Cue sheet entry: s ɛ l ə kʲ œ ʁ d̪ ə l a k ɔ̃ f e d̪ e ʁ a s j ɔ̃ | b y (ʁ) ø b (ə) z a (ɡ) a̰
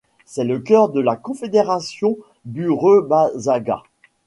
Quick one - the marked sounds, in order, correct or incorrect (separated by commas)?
correct, incorrect, correct